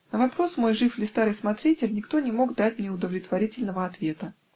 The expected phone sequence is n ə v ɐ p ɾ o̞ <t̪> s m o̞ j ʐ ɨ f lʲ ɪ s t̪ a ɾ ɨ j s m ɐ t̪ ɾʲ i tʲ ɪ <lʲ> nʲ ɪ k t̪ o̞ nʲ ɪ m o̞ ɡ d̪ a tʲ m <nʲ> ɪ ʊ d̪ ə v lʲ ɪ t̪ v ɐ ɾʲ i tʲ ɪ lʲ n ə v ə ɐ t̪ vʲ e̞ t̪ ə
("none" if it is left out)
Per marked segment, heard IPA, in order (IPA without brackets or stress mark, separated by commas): none, lʲ, nʲ